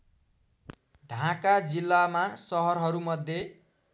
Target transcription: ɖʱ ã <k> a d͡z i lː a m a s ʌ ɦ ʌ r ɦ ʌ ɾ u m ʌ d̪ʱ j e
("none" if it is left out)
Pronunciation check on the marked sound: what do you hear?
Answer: k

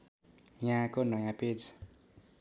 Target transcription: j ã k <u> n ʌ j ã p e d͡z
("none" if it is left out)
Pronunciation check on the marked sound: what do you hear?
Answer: o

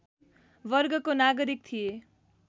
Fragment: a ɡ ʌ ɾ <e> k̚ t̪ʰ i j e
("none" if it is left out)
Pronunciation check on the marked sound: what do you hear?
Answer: i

